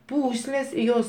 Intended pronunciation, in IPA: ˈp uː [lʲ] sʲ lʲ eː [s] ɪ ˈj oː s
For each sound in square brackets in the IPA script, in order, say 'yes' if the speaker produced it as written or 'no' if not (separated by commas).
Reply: no, yes